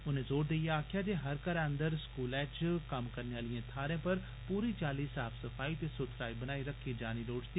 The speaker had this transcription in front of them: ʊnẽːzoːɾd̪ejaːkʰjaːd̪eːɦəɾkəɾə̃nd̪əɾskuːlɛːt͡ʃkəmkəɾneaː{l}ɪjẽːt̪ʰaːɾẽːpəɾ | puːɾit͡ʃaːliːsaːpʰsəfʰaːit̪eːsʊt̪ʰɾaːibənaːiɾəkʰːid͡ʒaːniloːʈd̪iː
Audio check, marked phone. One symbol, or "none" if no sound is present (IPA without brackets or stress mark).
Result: l